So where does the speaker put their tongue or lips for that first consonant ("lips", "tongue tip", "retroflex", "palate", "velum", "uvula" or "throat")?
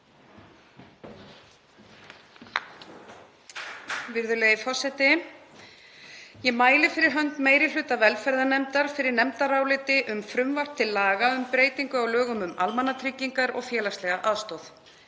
lips